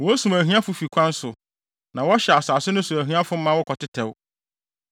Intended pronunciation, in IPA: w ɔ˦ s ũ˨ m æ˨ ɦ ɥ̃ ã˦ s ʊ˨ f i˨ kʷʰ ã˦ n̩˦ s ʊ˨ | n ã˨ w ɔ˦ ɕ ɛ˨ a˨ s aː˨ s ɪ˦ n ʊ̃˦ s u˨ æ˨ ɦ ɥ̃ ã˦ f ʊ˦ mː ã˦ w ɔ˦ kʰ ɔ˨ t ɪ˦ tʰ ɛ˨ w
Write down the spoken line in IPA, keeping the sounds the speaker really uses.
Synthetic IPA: w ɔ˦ s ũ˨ m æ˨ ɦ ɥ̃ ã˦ f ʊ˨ f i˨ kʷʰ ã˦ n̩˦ s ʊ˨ | n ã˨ w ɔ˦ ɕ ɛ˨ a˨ s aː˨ s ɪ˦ n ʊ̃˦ s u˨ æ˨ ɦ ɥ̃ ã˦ f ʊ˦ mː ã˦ w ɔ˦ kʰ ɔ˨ t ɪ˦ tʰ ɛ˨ w